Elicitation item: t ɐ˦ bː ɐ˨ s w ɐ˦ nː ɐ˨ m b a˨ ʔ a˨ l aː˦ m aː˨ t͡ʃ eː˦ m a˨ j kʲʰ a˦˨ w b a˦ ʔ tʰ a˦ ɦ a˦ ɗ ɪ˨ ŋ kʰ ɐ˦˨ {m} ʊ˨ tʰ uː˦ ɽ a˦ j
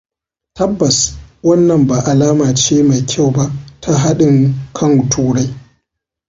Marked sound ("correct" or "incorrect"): incorrect